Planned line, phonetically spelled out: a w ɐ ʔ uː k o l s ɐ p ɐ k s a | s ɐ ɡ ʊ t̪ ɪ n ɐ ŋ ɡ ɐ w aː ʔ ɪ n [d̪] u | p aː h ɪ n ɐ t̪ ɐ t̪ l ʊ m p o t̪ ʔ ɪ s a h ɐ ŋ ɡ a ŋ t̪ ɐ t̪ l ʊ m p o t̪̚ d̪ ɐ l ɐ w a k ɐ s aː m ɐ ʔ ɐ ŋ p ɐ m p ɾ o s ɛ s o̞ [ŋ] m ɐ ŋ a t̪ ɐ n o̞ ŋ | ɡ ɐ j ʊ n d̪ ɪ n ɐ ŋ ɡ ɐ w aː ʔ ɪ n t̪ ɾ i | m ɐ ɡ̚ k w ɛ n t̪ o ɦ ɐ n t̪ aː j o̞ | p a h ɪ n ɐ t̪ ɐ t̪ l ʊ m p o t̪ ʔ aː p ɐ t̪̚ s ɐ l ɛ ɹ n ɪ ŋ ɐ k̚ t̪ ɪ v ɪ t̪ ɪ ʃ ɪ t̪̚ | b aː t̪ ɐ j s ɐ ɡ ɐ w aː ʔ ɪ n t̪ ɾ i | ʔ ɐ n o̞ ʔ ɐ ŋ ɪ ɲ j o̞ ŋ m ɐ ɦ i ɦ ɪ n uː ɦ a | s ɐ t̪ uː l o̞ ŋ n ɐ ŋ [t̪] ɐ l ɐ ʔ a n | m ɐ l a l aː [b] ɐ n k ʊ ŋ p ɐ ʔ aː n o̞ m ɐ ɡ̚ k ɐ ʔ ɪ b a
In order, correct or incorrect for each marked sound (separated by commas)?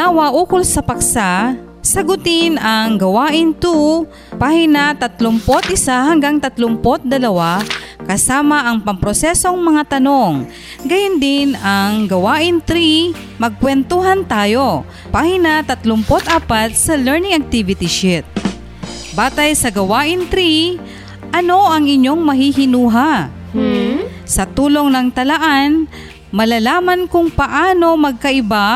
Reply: incorrect, correct, correct, incorrect